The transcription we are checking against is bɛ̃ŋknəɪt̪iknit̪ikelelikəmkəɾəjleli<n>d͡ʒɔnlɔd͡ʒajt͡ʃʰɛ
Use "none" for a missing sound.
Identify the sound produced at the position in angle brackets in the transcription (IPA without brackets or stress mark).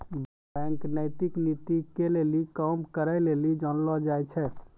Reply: none